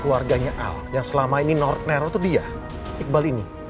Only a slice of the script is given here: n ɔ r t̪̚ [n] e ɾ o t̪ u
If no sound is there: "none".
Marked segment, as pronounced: n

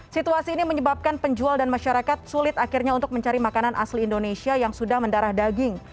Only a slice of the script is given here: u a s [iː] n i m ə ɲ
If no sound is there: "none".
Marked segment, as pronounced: iː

